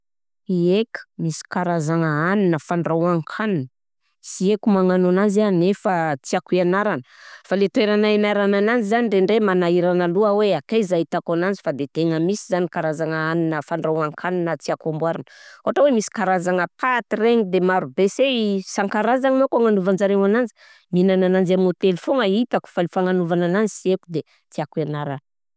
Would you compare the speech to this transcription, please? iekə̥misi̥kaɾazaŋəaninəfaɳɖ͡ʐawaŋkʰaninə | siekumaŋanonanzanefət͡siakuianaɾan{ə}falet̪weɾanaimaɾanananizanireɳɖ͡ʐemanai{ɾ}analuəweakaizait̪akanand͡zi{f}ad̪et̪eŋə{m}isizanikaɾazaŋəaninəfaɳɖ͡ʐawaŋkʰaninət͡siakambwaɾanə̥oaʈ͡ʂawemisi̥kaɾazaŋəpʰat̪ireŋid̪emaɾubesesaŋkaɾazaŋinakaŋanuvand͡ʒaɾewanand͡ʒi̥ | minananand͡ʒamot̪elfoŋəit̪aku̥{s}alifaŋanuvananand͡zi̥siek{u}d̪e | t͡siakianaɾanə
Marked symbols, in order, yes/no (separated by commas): yes, yes, yes, yes, no, yes